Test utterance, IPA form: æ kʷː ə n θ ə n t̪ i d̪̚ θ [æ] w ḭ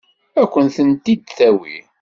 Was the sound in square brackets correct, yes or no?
yes